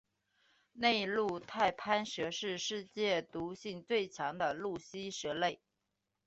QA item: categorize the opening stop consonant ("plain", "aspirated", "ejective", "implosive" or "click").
aspirated